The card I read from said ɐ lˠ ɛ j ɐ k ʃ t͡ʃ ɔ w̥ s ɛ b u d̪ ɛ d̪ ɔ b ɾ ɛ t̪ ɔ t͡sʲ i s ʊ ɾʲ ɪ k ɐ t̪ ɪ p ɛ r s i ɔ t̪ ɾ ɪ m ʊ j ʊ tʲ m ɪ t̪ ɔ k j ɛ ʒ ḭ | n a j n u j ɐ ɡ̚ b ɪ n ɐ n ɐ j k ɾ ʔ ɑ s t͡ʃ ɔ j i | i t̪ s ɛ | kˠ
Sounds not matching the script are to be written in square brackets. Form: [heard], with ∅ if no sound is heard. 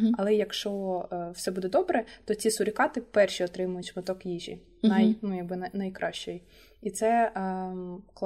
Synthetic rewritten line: ɐ lˠ ɛ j ɐ k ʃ t͡ʃ ɔ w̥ s ɛ b u d̪ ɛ d̪ ɔ b ɾ ɛ t̪ ɔ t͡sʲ i s ʊ ɾʲ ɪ k [ɑ] t̪ ɪ p ɛ r [ʃ] i ɔ t̪ ɾ ɪ m ʊ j ʊ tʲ m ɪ t̪ ɔ k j [i] ʒ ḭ | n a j n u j ɐ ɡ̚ b ɪ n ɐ n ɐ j k ɾ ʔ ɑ [ʃ] t͡ʃ ɔ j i | i t̪ s ɛ | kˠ